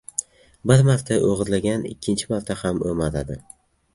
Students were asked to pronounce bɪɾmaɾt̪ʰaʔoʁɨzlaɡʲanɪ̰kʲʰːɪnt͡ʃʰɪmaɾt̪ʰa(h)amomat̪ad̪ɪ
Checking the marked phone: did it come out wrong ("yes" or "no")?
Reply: no